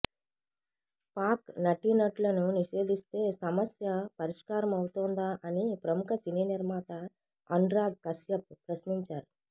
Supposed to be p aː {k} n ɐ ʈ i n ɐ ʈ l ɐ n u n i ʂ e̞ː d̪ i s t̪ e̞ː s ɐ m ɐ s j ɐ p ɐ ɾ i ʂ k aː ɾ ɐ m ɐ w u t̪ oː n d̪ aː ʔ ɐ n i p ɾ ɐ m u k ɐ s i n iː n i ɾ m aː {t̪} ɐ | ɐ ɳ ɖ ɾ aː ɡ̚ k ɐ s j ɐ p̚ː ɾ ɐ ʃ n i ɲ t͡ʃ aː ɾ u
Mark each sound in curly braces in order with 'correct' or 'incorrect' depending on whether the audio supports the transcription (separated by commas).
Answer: correct, correct